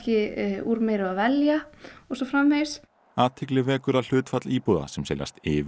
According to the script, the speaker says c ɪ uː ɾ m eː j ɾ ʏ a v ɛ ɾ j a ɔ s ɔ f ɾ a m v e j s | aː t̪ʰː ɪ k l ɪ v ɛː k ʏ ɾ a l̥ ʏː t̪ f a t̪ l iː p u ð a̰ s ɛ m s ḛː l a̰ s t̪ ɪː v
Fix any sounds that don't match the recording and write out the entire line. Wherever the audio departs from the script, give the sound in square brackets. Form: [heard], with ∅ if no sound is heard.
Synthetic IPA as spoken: c ɪ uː ɾ m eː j ɾ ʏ a v ɛ [l] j a ɔ s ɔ f ɾ a m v e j s | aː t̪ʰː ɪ k l ɪ v ɛː k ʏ ɾ a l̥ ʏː t̪ f a t̪ l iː p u ð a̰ s ɛ m s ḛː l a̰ s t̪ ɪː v